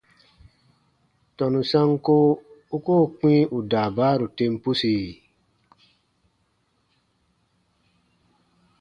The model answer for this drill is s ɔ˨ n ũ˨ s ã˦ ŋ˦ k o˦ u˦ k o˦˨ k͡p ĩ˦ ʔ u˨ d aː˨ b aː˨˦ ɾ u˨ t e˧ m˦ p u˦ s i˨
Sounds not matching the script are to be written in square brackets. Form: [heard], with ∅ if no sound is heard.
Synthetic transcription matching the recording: [t] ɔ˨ n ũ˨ s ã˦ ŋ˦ k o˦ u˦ k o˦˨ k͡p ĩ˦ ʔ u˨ d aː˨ b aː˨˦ ɾ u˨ t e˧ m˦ p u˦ s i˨

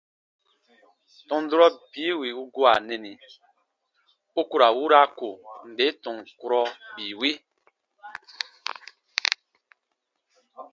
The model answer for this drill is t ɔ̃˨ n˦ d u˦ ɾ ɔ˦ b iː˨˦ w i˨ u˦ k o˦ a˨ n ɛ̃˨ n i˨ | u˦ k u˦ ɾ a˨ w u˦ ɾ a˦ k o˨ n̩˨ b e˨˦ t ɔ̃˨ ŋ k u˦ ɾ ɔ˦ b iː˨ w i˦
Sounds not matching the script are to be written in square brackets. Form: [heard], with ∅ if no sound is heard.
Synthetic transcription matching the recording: t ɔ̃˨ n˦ d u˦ ɾ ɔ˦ b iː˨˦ w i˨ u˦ [ɡ] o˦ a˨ n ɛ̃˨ n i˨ | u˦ k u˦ ɾ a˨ w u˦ ɾ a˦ k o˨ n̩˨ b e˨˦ t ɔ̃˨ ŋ k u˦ ɾ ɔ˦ b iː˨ w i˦

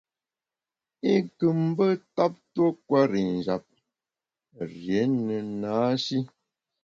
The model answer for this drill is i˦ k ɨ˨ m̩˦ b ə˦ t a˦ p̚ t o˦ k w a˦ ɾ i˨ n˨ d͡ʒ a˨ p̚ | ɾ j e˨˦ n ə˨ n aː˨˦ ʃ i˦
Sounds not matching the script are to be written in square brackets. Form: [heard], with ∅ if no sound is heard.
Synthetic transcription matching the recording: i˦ k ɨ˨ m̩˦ b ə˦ t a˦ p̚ t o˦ k w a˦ ɾ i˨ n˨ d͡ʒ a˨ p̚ | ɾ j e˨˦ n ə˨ n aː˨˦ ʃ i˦

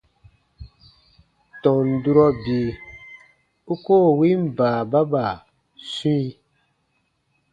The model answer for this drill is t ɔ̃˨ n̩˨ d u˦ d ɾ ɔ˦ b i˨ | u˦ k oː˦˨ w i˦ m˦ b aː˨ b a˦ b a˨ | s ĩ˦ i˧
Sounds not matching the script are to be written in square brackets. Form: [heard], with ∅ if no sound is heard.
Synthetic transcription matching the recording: t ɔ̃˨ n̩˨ d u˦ [∅] ɾ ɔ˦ b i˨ | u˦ k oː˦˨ w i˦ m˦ b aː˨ b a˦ b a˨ | s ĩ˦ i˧

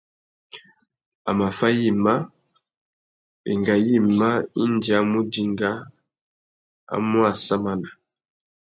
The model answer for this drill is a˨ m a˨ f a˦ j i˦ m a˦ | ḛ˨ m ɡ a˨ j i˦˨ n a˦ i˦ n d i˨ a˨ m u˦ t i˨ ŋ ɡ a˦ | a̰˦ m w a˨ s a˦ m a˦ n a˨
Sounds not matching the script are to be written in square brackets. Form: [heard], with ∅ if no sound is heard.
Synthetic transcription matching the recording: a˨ m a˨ f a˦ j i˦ m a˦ | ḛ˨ [ŋ] ɡ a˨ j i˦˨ [m] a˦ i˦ n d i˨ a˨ m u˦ [d] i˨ ŋ ɡ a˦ | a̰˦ m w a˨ s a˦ m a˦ n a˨

